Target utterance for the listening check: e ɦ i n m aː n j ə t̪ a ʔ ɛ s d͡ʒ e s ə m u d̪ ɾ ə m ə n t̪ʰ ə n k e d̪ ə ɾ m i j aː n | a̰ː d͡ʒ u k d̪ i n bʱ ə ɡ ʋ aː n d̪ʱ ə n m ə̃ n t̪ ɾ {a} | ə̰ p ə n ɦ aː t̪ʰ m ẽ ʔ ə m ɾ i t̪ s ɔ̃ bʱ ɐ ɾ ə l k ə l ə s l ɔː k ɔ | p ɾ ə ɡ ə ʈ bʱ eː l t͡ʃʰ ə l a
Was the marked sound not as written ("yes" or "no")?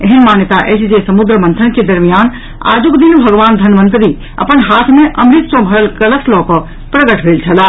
yes